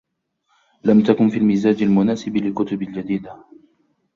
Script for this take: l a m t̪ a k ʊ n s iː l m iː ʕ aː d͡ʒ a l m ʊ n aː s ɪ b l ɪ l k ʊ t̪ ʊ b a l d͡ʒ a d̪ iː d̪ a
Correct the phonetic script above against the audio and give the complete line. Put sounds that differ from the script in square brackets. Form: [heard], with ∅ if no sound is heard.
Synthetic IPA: l a m t̪ a k ʊ n [f] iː l m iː [z] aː d͡ʒ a l m ʊ n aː s ɪ b l ɪ l k ʊ t̪ ʊ b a l d͡ʒ a d̪ iː d̪ a